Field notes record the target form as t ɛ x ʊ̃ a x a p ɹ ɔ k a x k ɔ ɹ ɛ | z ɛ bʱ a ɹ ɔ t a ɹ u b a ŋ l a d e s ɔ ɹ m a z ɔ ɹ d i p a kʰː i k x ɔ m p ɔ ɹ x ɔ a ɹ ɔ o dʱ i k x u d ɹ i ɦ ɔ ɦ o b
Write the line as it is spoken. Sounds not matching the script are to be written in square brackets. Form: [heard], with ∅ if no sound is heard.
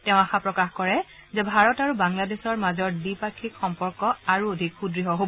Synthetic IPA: t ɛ [∅] ʊ̃ a x a p ɹ ɔ k a x k ɔ ɹ ɛ | z ɛ bʱ a ɹ ɔ t a ɹ u b a ŋ l a d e s ɔ ɹ m a z ɔ ɹ d i p a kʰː i k x ɔ m p ɔ ɹ [k] ɔ a ɹ [u] o dʱ i k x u d ɹ i ɦ ɔ ɦ o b